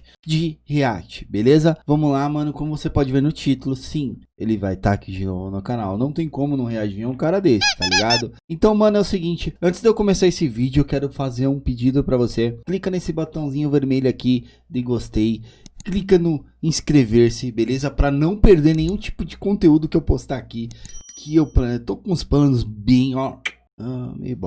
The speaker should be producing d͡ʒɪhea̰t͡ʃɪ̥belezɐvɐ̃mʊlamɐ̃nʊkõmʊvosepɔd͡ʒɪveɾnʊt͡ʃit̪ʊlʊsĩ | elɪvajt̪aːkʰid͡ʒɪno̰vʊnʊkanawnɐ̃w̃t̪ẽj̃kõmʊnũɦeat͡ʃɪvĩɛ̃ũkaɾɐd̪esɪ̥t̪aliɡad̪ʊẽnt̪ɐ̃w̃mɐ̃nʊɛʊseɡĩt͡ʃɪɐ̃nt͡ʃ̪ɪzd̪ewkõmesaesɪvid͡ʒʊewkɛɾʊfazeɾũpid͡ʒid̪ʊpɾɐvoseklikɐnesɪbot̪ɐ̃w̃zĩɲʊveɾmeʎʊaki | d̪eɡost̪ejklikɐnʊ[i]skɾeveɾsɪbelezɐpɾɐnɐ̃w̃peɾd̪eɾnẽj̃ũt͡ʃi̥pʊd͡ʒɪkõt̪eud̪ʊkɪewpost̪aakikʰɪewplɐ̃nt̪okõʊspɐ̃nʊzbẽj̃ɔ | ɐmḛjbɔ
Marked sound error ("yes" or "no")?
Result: yes